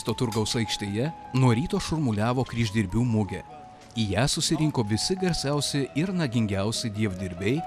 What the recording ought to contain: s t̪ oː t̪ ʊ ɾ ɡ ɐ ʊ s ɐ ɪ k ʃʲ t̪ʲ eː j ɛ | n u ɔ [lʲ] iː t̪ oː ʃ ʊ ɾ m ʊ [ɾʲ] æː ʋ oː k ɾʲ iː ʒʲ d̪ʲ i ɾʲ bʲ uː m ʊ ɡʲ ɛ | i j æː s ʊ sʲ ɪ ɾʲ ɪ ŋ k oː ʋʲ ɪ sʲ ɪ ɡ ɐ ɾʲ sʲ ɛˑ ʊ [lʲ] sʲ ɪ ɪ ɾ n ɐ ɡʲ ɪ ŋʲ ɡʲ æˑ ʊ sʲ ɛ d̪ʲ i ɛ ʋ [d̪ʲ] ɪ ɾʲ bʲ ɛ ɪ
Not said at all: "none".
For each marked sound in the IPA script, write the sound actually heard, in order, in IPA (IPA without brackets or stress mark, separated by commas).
ɾʲ, lʲ, none, d̪ʲ